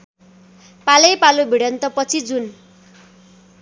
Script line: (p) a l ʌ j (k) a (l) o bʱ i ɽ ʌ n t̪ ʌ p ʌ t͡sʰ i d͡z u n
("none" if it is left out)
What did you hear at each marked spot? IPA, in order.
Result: p, p, l

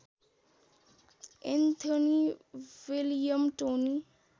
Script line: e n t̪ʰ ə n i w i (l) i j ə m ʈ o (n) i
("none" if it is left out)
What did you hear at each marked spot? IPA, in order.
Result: l, n

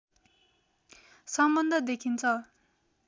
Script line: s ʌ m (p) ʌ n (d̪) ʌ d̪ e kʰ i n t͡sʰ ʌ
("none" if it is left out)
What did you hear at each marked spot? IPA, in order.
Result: b, d̪

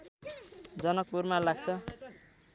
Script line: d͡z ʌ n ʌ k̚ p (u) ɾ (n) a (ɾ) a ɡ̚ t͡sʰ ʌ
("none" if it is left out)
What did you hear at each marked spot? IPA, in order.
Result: u, m, l

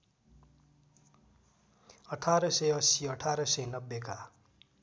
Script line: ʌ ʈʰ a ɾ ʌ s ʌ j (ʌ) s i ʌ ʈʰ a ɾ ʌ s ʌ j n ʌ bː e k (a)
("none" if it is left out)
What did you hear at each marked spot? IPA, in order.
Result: ʌ, a

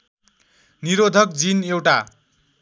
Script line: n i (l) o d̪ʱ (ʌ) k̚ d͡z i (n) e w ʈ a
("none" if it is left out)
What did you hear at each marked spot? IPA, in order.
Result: ɾ, ʌ, n

